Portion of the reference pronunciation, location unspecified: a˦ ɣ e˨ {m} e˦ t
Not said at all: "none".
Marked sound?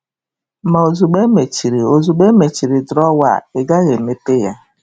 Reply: m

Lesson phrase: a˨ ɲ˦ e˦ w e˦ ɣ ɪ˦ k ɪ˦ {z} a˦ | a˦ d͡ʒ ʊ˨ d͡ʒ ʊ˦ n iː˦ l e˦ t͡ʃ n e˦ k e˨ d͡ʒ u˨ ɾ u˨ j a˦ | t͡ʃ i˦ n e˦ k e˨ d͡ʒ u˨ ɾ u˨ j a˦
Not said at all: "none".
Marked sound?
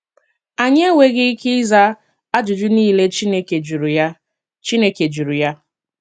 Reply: z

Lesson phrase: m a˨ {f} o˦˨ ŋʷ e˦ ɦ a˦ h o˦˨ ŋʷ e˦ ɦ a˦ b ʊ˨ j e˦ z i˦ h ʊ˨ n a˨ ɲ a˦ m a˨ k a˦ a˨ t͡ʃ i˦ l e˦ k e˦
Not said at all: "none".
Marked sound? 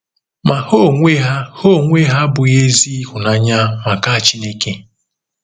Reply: h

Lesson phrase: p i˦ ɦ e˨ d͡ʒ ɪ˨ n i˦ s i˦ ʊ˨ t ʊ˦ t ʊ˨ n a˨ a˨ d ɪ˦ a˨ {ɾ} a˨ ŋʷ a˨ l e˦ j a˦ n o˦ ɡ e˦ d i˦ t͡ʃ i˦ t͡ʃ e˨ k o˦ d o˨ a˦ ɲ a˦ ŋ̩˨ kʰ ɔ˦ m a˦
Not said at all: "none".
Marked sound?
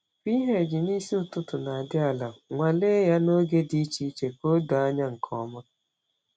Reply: l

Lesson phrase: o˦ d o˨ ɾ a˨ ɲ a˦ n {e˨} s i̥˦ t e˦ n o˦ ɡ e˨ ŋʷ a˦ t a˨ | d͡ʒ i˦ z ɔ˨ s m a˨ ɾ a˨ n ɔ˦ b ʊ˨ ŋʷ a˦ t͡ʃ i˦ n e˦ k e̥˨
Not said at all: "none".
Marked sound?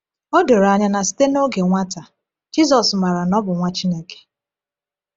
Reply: a˨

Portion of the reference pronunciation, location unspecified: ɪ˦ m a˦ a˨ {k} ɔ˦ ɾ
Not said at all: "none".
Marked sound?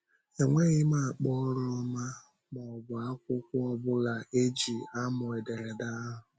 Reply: k͡p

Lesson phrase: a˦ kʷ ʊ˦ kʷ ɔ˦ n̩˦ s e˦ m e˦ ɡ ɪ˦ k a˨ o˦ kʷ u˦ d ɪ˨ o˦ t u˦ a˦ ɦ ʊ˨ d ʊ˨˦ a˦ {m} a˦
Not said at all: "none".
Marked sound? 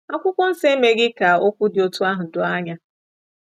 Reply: ɲ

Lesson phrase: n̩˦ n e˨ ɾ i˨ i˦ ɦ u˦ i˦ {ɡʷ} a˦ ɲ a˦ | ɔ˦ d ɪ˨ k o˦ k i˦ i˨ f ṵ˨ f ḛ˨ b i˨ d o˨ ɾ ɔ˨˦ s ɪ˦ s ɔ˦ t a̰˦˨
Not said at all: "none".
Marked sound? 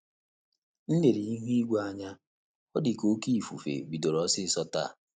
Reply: ɡʷ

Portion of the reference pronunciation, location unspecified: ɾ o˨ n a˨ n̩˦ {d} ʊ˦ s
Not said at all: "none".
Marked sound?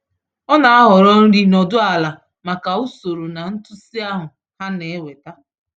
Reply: t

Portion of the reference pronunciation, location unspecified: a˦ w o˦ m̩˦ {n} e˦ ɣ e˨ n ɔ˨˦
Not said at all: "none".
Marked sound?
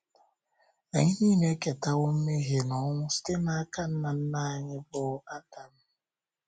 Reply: m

